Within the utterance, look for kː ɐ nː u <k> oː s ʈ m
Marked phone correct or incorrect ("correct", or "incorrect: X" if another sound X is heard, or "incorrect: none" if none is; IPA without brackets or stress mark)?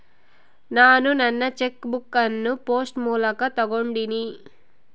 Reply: incorrect: p